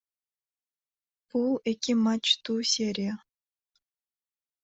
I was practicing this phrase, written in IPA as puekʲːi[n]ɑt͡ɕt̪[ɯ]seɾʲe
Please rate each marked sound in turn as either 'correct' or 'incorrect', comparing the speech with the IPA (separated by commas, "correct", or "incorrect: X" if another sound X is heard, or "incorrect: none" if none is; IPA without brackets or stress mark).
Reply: incorrect: m, incorrect: u